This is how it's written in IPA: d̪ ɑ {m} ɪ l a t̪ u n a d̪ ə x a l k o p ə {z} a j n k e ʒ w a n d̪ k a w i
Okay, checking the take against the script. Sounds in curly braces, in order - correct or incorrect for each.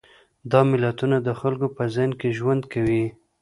correct, correct

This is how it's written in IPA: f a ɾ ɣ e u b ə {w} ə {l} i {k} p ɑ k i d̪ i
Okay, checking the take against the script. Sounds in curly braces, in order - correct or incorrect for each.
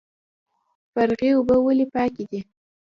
correct, correct, incorrect

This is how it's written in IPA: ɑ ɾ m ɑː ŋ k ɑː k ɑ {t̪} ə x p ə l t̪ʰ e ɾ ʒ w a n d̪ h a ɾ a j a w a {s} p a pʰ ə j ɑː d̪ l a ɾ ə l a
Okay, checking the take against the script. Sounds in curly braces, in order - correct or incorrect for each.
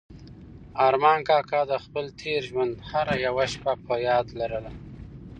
incorrect, incorrect

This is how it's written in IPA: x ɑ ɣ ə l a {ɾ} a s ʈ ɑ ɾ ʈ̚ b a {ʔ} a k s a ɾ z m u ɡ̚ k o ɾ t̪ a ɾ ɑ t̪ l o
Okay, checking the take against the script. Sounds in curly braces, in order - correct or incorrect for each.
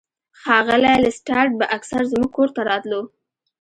incorrect, correct

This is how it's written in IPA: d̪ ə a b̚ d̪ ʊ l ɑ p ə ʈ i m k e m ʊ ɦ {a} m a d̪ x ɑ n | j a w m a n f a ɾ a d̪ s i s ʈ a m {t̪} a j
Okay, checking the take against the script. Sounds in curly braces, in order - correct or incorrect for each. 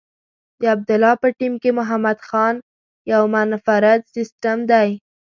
correct, incorrect

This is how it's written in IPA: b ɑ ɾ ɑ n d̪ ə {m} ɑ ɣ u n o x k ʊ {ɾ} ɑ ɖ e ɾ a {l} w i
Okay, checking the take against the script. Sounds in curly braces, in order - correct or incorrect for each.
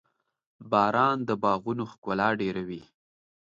incorrect, incorrect, incorrect

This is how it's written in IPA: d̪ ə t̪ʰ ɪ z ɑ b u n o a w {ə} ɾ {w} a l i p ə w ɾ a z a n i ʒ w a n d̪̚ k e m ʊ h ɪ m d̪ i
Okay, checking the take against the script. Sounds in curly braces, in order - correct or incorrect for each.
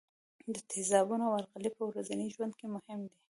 incorrect, incorrect

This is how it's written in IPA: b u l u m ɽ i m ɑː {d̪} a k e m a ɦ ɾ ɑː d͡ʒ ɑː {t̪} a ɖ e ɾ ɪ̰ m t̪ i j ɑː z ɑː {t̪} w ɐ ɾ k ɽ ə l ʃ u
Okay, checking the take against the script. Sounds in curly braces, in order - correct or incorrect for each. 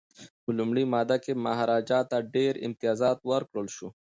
correct, correct, correct

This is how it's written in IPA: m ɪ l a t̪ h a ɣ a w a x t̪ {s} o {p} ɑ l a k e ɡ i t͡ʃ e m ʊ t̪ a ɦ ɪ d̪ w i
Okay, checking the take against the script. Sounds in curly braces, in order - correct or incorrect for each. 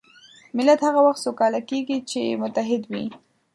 correct, incorrect

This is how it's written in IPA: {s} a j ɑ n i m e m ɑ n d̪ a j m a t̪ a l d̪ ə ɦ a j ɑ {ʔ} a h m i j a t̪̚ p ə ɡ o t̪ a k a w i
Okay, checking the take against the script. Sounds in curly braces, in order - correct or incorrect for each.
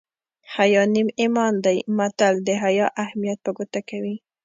incorrect, correct

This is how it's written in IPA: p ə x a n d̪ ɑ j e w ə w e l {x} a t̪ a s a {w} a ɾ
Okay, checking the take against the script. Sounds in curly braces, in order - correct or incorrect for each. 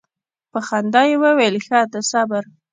correct, incorrect

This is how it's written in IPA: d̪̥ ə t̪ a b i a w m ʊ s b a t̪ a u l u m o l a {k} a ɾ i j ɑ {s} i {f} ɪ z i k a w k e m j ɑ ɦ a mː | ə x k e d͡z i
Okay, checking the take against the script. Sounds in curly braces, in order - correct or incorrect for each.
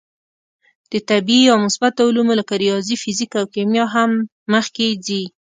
correct, incorrect, correct

